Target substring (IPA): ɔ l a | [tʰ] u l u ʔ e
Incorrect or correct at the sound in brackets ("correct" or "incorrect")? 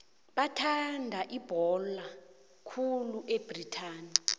incorrect